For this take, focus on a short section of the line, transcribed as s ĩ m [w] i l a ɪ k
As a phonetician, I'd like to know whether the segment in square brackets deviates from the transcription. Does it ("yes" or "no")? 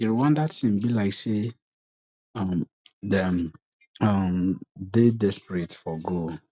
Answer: yes